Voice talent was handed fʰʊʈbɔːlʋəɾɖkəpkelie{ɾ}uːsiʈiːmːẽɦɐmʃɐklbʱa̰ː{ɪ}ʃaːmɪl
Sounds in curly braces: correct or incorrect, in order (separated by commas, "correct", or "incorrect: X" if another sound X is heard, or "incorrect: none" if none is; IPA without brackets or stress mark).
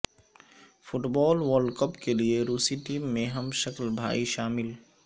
correct, incorrect: i